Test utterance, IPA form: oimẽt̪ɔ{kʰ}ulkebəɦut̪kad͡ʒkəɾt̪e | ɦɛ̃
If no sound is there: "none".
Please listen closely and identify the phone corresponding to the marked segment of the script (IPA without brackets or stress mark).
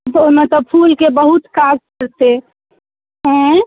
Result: pʰ